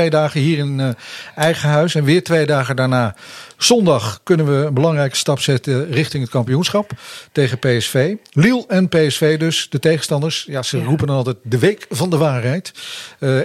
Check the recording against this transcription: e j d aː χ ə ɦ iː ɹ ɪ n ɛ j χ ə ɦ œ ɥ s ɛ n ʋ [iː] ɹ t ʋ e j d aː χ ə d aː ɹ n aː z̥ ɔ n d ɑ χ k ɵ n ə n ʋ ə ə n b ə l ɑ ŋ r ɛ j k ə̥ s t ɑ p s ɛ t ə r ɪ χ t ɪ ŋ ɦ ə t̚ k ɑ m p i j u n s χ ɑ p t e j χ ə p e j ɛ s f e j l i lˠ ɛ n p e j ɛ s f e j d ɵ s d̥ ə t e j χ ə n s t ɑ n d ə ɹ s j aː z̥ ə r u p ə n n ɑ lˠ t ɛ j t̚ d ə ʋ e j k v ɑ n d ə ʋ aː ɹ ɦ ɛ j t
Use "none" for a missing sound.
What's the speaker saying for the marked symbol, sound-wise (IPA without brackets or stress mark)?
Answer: ɪː